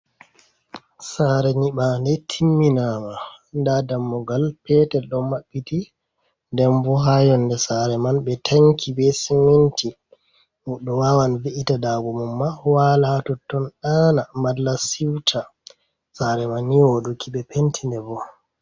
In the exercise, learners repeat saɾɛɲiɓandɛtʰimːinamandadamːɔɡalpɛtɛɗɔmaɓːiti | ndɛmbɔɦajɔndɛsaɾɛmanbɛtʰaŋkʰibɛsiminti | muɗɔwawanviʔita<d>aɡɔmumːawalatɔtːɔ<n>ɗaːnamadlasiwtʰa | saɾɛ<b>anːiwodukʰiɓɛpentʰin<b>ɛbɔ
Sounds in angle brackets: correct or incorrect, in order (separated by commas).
correct, correct, incorrect, incorrect